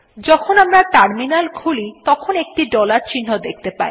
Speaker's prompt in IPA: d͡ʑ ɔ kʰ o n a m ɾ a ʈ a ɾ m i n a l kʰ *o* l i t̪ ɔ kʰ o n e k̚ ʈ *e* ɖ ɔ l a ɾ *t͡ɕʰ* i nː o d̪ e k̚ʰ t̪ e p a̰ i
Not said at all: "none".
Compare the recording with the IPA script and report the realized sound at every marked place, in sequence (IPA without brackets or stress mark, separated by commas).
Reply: u, i, t͡ɕ